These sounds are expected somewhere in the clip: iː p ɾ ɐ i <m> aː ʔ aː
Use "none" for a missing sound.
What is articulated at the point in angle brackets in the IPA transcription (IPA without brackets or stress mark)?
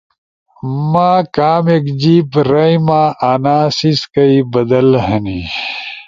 m